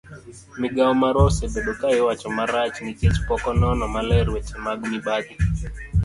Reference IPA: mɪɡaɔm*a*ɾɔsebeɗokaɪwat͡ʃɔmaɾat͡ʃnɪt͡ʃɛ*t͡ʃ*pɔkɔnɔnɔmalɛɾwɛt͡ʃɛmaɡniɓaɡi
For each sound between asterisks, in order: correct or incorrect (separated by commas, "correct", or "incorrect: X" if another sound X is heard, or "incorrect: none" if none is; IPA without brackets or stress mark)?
correct, correct